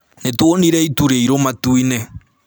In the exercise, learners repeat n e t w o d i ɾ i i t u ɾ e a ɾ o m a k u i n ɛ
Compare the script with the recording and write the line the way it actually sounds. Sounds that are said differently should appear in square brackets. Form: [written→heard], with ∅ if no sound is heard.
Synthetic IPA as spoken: n e t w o [d→n] i ɾ [i→ɛ] i t u ɾ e [a→i] ɾ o m a [k→t] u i n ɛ